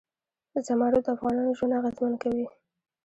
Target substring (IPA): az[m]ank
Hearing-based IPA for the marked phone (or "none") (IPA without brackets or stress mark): m